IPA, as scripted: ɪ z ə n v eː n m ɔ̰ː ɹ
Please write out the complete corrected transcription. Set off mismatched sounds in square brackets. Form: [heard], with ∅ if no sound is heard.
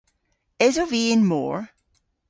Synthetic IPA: ɪ z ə [∅] v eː n m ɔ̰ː ɹ